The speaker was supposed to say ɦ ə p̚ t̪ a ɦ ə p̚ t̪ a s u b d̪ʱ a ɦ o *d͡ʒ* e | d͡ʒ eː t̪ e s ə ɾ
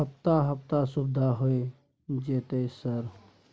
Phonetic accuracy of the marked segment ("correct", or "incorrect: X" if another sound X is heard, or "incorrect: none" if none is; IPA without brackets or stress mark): incorrect: none